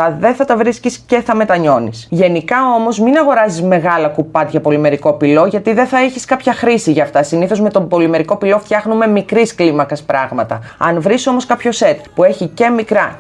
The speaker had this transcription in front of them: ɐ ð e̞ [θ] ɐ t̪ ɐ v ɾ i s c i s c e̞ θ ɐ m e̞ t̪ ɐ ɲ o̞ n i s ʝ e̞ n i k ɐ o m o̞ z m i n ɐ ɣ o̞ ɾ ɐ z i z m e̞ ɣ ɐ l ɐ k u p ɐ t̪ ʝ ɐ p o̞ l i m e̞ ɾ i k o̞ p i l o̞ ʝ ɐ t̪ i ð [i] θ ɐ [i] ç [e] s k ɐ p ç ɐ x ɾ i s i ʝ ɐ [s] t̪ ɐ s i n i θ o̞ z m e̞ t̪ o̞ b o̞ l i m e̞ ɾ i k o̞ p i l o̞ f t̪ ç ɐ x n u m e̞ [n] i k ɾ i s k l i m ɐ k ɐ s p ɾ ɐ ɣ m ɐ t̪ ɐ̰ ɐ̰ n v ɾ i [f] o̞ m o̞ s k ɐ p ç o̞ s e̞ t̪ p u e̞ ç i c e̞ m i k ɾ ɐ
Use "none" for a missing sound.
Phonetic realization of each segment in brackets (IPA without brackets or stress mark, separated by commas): θ, e, e, i, f, m, s